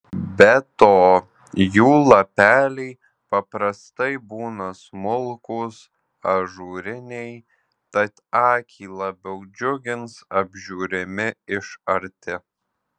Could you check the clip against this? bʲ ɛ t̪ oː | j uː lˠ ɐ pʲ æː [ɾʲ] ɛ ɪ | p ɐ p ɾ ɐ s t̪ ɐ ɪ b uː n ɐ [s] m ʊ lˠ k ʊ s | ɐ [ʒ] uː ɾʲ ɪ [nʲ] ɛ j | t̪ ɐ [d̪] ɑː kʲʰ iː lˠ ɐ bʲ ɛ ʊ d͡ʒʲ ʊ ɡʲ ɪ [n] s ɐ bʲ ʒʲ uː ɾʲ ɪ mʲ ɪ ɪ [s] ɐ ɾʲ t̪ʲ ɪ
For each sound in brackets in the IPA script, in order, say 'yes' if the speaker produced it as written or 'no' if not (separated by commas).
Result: no, yes, yes, yes, no, yes, no